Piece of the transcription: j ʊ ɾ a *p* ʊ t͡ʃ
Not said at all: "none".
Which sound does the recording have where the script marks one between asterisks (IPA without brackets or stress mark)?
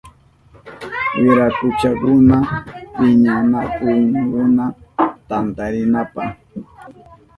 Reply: k